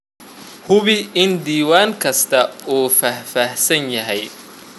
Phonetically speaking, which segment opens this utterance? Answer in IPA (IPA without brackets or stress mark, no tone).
h